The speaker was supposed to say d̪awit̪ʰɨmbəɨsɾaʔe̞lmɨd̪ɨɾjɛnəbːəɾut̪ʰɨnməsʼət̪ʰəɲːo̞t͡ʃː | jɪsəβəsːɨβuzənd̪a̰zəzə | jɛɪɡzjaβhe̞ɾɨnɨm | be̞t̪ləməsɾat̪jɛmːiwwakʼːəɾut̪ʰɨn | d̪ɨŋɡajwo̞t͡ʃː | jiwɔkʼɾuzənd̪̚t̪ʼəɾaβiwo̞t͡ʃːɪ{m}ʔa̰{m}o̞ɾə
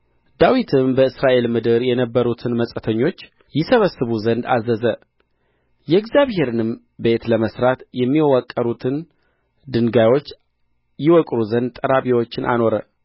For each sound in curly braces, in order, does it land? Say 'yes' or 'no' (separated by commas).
no, no